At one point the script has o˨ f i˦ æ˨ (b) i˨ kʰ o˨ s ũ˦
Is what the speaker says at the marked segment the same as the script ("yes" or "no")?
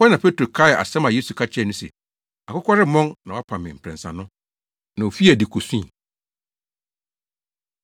no